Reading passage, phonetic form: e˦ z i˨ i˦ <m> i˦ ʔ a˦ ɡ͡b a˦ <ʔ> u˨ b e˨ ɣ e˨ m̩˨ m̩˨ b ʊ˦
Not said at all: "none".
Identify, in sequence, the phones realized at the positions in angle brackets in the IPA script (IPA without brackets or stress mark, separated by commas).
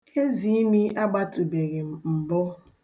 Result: m, t